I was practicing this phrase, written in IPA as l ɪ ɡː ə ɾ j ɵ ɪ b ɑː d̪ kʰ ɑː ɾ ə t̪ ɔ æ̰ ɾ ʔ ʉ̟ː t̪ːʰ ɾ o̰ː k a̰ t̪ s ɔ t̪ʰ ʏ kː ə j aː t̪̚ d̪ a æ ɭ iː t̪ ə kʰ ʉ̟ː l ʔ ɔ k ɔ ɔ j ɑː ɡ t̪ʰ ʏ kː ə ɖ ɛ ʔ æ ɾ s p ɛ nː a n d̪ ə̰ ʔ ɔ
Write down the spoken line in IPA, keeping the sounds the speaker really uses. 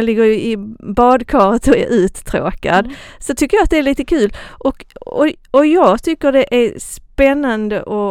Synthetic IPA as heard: l ɪ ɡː ə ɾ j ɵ ɪ b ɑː d̪ kʰ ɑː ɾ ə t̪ ɔ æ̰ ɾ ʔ ʉ̟ː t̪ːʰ ɾ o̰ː k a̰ d̪ s ɔ t̪ʰ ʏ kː ə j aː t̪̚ d̪ ɛ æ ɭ iː t̪ ə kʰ ʉ̟ː l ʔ ɔ k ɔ ɔ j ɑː ɡ t̪ʰ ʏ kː ə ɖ ɛ ʔ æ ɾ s p ɛ nː a n d̪ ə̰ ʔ ɔ